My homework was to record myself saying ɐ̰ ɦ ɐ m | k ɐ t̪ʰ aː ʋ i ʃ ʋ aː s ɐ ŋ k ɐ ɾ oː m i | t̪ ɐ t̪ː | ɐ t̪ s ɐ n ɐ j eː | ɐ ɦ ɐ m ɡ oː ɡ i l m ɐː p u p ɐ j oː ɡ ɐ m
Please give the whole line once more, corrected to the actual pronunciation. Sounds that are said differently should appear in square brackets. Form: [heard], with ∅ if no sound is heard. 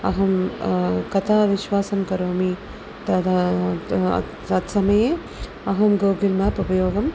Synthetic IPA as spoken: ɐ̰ ɦ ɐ m | k ɐ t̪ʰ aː ʋ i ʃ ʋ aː s ɐ [m] k ɐ ɾ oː m i | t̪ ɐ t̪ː | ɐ t̪ s ɐ [m] ɐ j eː | ɐ ɦ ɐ m ɡ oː ɡ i l m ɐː p u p ɐ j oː ɡ ɐ m